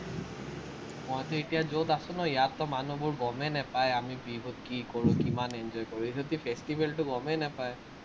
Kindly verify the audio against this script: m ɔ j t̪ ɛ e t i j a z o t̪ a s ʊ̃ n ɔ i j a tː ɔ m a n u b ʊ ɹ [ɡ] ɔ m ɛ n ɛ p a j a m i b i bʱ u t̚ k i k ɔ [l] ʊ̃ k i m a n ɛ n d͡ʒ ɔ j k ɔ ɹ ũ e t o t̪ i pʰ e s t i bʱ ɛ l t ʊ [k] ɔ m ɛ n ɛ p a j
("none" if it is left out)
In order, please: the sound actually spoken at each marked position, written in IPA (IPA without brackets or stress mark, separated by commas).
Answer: ɡ, ɹ, ɡ